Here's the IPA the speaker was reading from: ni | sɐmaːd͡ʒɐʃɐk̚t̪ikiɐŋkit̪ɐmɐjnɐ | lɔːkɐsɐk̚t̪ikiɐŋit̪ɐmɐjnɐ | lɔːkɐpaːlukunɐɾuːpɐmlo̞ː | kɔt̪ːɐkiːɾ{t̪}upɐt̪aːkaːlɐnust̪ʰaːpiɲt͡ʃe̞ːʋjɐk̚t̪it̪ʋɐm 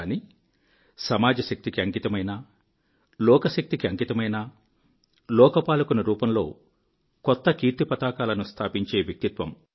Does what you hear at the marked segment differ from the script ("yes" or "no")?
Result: no